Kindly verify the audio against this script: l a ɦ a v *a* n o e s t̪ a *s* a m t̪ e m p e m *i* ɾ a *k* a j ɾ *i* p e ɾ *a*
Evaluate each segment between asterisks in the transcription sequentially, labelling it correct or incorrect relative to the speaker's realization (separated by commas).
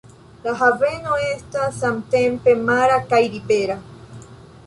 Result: incorrect, correct, incorrect, correct, correct, correct